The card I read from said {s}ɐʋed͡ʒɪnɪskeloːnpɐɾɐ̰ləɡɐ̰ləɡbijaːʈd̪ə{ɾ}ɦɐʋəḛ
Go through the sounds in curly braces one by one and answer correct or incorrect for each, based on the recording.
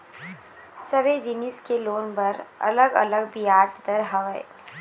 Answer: correct, correct

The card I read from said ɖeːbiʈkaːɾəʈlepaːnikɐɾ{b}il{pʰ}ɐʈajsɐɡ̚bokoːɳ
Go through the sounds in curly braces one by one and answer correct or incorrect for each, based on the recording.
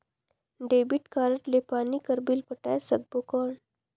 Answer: correct, incorrect: p

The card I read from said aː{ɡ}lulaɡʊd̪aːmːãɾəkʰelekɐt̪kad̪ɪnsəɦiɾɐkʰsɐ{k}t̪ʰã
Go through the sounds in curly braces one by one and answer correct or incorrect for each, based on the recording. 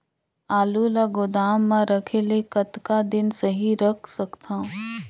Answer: incorrect: none, correct

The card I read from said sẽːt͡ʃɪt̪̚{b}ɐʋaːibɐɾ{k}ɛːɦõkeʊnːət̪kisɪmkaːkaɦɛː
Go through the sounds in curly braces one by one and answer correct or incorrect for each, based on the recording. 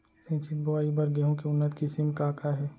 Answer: correct, incorrect: ɡ

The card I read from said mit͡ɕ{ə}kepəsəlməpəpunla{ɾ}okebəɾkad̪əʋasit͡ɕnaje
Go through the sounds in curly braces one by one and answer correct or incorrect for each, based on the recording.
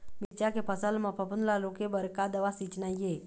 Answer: incorrect: a, incorrect: l

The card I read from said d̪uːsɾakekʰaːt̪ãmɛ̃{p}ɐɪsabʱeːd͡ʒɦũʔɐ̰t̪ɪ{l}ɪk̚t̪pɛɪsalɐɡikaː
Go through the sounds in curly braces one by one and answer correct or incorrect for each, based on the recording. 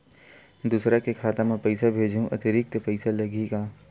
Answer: correct, incorrect: ɾ

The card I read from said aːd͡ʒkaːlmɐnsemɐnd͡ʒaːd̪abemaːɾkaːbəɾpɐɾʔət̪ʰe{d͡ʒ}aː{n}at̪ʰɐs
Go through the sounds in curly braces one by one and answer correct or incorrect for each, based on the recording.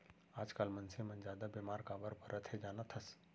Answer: correct, correct

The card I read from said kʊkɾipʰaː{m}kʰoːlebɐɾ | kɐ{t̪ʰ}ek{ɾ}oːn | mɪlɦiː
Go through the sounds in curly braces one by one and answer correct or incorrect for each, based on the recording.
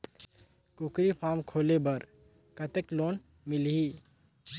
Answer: correct, incorrect: t̪, incorrect: l

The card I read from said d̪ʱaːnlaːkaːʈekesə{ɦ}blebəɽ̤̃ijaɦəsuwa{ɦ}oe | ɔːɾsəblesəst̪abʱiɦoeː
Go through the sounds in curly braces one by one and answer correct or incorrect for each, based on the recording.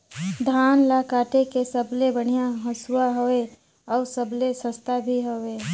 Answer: incorrect: none, correct

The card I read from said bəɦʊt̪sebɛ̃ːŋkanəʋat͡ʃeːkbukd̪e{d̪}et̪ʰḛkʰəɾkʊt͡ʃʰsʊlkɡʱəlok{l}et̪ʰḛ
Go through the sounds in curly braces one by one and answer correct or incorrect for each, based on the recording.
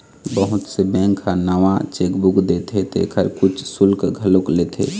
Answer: incorrect: t̪, correct

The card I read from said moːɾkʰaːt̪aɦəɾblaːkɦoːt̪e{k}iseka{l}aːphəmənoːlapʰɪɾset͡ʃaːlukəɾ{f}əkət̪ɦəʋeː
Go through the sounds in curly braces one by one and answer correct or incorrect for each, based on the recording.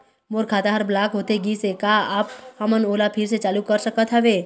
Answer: incorrect: ɡ, incorrect: none, incorrect: s

